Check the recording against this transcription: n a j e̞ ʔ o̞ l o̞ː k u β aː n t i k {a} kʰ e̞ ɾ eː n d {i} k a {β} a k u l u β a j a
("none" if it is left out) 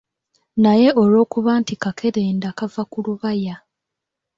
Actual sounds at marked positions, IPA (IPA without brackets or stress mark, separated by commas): a, a, v